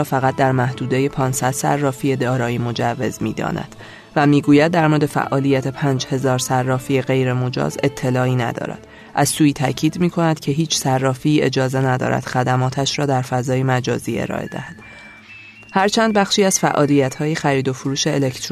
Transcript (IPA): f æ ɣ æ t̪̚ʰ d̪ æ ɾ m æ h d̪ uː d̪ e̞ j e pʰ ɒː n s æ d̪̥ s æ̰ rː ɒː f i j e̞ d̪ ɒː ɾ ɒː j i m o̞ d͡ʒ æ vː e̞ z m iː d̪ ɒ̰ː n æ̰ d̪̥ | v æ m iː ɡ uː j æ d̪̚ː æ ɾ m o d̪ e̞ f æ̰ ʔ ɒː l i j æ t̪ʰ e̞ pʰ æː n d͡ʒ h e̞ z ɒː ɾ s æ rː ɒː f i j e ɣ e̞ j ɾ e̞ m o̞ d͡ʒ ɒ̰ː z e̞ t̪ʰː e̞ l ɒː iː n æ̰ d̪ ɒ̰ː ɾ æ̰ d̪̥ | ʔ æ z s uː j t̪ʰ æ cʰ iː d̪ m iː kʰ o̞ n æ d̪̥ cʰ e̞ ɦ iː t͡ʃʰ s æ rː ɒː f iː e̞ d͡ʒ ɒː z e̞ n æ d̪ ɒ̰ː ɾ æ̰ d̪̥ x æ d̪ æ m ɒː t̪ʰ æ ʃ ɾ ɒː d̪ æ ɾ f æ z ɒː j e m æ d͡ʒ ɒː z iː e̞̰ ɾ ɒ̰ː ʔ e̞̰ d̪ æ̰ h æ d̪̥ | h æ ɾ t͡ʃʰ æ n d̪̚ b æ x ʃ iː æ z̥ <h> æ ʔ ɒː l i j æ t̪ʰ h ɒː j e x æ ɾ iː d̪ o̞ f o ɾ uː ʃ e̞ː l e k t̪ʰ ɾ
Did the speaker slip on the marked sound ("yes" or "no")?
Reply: yes